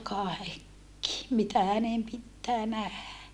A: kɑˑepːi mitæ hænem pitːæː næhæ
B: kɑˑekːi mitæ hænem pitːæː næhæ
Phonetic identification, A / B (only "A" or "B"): B